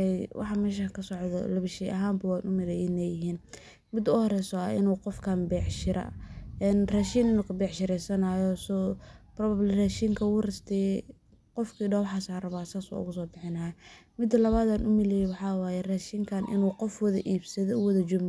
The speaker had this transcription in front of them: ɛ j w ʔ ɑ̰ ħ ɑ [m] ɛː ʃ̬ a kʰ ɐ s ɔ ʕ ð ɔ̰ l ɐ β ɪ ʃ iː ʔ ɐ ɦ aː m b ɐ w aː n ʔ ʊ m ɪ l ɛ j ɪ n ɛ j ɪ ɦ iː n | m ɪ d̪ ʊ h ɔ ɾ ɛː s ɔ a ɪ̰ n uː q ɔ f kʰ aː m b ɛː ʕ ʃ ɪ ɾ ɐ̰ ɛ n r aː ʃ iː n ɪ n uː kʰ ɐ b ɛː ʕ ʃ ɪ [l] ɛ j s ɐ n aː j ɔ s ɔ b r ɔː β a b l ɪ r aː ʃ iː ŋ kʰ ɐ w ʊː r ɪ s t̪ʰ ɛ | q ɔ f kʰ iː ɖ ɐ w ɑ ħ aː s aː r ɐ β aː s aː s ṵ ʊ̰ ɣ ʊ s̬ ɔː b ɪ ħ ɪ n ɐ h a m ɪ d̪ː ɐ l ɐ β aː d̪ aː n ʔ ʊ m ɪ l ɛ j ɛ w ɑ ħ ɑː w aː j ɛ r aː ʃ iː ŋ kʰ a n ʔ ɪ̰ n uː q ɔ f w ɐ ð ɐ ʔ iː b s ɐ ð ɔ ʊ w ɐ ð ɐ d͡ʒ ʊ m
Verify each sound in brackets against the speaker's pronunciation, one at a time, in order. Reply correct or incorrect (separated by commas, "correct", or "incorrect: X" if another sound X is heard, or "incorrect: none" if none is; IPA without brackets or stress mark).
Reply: correct, incorrect: ɾ